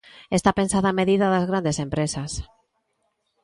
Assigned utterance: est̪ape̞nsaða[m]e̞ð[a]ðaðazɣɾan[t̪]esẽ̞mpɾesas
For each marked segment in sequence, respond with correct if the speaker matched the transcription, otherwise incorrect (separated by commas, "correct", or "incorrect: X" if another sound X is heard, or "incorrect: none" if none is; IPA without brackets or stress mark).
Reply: correct, incorrect: i, incorrect: d̪